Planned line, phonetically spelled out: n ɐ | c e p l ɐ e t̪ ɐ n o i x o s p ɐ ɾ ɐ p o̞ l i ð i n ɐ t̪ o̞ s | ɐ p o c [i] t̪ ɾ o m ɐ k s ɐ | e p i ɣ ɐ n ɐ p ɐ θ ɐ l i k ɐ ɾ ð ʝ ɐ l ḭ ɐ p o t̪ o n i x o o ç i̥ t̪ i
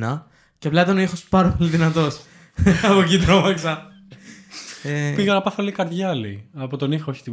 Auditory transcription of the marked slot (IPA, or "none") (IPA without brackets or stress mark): i